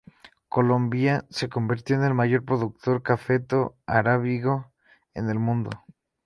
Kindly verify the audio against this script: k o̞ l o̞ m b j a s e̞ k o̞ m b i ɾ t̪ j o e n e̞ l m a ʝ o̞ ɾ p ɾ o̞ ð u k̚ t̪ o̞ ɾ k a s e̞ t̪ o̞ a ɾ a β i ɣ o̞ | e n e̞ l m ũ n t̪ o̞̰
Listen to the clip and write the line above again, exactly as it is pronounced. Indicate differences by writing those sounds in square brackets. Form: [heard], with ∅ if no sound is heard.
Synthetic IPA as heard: k o̞ l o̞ m b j a s e̞ k o̞ m b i ɾ t̪ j o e n e̞ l m a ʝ o̞ ɾ p ɾ o̞ ð u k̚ t̪ o̞ ɾ k a [f] e̞ t̪ o̞ a ɾ a β i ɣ o̞ | e n e̞ l m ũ n [d̪] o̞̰